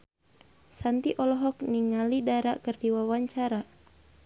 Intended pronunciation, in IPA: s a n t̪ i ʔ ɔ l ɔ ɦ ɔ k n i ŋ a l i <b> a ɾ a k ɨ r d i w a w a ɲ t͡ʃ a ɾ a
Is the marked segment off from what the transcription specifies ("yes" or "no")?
yes